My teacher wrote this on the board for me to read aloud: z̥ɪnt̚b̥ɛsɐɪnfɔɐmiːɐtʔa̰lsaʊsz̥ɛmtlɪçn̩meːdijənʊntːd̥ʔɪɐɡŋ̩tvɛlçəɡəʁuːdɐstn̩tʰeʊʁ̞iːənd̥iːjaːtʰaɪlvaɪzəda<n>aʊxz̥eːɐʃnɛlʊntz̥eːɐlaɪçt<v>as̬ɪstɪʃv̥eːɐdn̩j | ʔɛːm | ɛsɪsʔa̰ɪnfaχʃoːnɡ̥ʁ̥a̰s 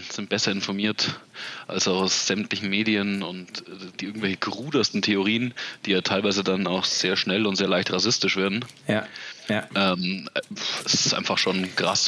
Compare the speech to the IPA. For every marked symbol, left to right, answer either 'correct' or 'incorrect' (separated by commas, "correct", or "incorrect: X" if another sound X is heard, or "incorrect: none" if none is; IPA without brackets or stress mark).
correct, incorrect: ʁ